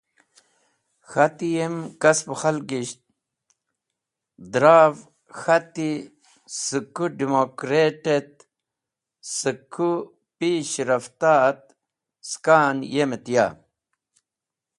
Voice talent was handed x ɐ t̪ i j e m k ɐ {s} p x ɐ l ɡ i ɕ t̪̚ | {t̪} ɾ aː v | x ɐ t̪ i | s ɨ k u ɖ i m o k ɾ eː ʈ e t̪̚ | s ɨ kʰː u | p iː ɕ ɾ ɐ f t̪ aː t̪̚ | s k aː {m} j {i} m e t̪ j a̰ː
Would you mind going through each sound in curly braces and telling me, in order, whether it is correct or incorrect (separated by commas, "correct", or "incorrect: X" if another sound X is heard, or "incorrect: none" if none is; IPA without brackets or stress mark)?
correct, incorrect: d̪, incorrect: n, incorrect: e